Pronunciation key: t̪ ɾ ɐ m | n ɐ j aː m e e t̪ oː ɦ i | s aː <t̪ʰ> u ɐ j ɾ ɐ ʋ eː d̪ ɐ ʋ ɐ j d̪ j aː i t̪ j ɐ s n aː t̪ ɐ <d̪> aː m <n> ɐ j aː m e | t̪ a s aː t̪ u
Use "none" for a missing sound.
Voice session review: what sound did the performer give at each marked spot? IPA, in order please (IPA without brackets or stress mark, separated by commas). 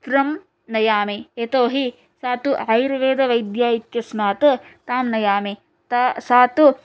t̪, t̪, n